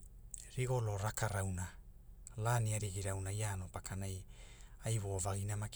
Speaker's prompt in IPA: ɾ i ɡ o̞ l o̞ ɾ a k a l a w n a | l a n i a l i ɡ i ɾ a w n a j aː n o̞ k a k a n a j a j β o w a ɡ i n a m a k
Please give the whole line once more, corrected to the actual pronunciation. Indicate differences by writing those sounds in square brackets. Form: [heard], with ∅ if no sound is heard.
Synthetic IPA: ɾ i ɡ o̞ l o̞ ɾ a k a [ɾ] a w n a | l a n i a [ɾ] i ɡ i ɾ a w n a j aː n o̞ [p] a k a n a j a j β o [v] a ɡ i n a m a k